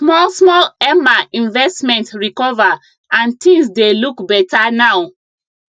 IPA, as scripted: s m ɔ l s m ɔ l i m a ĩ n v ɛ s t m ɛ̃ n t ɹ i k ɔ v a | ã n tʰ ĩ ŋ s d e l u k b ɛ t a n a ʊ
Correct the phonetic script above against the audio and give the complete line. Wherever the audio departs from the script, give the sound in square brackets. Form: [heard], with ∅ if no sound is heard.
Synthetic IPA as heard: s m ɔ l s m ɔ l [ɛ] m a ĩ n v ɛ s t m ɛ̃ n t ɹ i k ɔ v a | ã n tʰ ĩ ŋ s d e l u k b ɛ t a n a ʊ